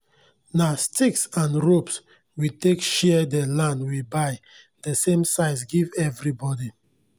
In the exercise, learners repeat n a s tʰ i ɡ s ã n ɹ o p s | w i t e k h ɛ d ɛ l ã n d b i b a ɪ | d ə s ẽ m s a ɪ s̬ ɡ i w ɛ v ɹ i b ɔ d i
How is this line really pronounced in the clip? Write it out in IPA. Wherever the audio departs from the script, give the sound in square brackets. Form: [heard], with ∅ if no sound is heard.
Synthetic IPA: n a s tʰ i [k] s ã n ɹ o p s | w i t e k [ʃ] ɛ d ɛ l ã n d [w] i b a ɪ | d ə s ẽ m s a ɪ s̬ ɡ i [v] ɛ v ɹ i b ɔ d i